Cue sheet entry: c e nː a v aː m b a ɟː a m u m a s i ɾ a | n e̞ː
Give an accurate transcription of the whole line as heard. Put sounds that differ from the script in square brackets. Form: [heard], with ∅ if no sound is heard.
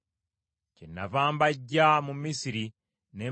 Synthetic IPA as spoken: c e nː a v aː m b a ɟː a m u m [i] s i ɾ [i] | n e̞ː